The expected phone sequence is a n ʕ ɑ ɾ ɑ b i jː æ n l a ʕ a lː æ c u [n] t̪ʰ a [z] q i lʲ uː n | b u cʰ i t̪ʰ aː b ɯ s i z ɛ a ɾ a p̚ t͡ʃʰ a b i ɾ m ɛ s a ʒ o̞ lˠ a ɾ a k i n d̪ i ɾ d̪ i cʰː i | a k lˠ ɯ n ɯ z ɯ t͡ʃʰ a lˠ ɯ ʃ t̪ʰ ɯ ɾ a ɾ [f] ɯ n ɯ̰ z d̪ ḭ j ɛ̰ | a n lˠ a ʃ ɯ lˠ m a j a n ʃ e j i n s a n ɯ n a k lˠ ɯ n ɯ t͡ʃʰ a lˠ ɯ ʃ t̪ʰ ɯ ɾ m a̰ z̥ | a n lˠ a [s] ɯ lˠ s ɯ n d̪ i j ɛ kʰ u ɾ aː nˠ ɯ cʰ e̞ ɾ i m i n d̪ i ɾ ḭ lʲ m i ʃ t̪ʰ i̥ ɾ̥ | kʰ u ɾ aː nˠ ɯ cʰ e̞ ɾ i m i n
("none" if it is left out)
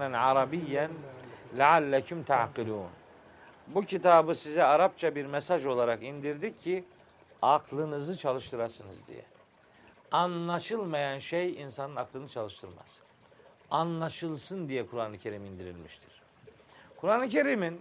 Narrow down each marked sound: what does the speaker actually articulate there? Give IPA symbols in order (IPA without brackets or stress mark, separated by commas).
m, ʕ, s, ʃ